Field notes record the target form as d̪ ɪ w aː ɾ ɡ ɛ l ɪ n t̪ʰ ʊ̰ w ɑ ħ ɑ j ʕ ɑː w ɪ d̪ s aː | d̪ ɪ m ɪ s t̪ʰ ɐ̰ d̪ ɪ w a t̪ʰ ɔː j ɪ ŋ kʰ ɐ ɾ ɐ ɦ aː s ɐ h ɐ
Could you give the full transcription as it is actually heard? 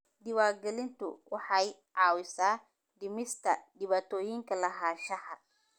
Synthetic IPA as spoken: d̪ ɪ w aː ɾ ɡ ɛ l ɪ n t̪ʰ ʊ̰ w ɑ ħ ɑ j ʕ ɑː w ɪ s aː | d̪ ɪ m ɪ s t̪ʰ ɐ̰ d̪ ɪ β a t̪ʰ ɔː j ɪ ŋ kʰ ɐ l ɐ ɦ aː ʃ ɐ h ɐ